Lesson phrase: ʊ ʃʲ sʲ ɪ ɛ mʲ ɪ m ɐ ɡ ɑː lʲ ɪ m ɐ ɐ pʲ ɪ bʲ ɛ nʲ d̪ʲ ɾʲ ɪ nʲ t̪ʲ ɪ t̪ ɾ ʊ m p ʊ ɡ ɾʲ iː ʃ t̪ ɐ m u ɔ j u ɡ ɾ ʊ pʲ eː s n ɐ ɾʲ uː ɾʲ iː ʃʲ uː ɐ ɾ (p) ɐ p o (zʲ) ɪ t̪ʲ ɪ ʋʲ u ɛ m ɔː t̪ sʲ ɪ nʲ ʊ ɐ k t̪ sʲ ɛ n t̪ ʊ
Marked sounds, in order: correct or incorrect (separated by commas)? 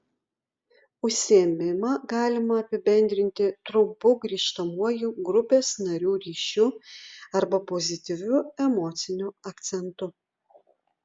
incorrect, correct